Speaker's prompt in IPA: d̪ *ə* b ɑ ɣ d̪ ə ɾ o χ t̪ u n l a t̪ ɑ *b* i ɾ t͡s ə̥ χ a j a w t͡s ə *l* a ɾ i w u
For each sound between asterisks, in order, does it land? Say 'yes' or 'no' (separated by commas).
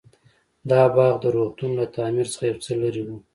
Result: no, no, yes